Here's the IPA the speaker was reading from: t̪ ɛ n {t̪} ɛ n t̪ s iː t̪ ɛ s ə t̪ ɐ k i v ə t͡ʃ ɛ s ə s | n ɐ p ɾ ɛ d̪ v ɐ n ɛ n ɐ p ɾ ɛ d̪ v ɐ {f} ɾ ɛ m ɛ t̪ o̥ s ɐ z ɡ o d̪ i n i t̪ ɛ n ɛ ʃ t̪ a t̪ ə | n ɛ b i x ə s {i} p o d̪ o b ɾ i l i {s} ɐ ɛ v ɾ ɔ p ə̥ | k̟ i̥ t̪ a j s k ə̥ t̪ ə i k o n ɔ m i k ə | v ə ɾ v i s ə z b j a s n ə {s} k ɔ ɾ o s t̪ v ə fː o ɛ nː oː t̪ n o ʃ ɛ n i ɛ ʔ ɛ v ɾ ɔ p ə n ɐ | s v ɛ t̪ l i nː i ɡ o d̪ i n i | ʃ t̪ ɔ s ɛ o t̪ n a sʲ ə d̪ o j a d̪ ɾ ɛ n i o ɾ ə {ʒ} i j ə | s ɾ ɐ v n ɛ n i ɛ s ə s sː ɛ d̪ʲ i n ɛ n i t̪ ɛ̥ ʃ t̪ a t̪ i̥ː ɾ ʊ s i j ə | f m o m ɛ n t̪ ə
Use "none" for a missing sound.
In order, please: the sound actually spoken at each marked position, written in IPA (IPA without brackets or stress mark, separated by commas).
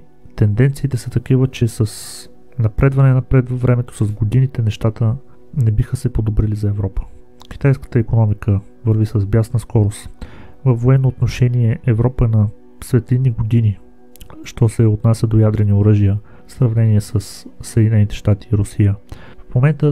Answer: d̪, v, ɛ, z, s, ʒ